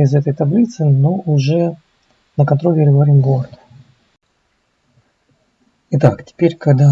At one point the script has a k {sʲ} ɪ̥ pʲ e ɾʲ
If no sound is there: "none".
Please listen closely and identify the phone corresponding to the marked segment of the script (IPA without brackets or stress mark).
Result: tʲ